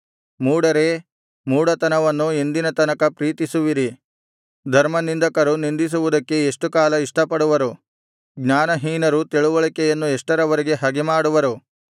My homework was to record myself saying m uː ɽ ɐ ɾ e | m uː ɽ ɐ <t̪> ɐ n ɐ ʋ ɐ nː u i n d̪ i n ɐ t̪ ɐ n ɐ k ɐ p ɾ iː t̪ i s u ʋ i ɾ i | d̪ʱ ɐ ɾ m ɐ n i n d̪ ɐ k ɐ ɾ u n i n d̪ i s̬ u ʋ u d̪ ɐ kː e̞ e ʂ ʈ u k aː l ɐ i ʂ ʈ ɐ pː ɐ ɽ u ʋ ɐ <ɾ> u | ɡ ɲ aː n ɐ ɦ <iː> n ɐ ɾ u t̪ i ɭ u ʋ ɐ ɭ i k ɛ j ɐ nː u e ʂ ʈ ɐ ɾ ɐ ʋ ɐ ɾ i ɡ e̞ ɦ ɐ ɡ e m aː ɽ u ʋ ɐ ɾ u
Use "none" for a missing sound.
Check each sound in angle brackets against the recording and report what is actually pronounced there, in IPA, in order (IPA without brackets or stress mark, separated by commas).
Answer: t̪, ɾ, iː